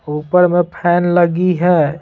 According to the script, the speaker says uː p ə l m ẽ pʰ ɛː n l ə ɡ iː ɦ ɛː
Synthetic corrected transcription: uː p ə ɾ m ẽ pʰ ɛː n l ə ɡ i ɦ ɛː